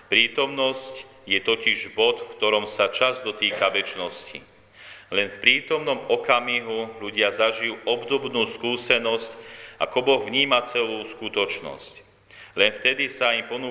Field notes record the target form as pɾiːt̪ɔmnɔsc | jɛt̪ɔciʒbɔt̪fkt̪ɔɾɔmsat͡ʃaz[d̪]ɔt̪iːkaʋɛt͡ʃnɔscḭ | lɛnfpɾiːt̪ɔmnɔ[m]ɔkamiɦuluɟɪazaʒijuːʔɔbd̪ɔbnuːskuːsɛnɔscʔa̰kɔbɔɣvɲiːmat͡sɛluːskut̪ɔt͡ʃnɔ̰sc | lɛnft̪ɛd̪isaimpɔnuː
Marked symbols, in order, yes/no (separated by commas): yes, yes